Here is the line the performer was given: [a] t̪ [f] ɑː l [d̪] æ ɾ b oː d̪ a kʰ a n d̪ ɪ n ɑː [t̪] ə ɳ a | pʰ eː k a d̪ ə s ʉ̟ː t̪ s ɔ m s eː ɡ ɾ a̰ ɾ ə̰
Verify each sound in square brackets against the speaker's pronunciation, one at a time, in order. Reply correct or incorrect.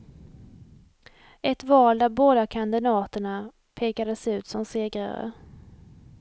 incorrect: ɛ, incorrect: v, correct, correct

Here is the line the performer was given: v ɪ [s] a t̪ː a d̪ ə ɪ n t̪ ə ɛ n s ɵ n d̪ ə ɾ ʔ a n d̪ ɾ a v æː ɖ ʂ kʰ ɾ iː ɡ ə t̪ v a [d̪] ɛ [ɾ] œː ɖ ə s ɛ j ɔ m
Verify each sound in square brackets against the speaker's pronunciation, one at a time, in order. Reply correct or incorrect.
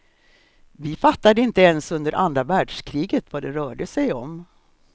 incorrect: f, correct, correct

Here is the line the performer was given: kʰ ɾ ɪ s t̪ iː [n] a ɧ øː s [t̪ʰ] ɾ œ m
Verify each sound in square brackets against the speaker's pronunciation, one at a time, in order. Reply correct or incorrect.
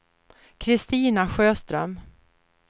correct, incorrect: t̪

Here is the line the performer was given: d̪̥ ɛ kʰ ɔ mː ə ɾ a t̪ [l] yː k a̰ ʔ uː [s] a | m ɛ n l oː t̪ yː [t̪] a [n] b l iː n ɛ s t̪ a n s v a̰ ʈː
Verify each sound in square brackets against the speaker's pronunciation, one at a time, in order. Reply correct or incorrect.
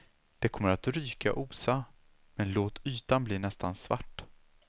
incorrect: ɾ, correct, correct, correct

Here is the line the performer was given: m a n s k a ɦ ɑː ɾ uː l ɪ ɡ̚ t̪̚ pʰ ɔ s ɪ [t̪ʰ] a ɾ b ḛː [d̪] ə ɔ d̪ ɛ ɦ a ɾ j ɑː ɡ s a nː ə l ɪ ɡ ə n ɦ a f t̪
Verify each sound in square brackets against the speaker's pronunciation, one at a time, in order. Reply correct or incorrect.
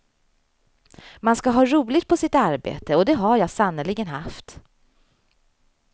incorrect: t̪, incorrect: t̪

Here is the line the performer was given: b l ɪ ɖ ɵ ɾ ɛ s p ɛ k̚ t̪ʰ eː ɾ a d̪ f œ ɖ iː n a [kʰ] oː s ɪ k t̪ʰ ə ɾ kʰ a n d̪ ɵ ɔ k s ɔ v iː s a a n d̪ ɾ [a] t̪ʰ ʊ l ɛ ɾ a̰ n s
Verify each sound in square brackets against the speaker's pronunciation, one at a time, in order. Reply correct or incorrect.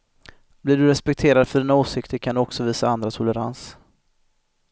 incorrect: none, correct

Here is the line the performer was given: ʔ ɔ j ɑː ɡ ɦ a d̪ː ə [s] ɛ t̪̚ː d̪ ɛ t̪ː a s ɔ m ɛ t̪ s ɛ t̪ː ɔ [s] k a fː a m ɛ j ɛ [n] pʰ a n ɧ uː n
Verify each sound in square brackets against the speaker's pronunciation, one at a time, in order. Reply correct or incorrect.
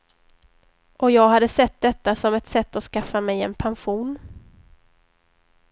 correct, correct, correct

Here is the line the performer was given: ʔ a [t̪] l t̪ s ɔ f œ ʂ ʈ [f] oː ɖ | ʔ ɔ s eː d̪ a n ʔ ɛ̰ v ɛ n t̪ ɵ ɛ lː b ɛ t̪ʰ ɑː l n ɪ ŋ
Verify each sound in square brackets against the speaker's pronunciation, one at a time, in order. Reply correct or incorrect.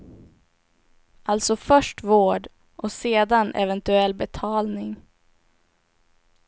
incorrect: none, incorrect: v

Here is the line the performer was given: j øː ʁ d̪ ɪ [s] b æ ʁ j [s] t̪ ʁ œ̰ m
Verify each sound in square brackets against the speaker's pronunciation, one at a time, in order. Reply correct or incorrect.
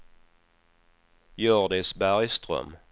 correct, correct

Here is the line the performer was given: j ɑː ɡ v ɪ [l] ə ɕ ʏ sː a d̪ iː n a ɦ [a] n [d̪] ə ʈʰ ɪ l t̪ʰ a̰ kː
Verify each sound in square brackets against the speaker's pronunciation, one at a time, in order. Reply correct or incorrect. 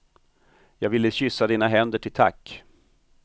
incorrect: lː, incorrect: ɛ, correct

